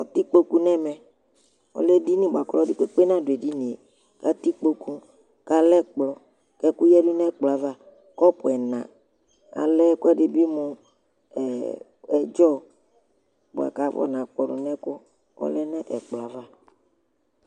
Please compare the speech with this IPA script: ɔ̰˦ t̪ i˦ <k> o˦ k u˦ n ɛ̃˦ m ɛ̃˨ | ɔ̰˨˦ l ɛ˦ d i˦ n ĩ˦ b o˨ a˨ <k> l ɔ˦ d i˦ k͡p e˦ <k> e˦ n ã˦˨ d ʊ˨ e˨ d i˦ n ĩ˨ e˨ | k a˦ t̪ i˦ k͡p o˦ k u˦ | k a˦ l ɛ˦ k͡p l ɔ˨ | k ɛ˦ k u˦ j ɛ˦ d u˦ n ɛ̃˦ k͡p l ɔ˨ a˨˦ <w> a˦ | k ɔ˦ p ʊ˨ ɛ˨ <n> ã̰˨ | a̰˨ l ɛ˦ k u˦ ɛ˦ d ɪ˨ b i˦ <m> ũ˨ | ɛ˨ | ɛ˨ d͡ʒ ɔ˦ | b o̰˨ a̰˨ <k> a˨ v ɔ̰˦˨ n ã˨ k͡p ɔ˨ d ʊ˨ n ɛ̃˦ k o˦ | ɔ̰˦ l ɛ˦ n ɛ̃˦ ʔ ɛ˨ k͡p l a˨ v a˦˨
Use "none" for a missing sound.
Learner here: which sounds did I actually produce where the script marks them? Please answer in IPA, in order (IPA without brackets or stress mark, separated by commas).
k͡p, k, k͡p, v, n, m, k